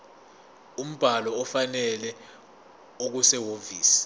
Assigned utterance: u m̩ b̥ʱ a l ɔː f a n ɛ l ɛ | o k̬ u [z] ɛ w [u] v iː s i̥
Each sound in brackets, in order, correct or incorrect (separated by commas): incorrect, incorrect